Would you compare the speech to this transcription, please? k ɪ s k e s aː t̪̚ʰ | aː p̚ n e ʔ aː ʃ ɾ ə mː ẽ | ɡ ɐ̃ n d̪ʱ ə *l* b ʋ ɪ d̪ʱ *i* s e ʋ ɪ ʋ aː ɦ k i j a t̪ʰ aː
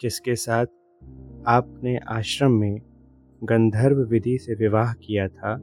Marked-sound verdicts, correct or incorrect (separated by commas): incorrect, correct